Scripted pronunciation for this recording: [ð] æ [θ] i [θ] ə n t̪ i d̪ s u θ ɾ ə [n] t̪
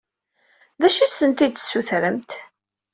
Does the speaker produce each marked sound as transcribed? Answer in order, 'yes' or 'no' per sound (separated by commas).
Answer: yes, no, no, no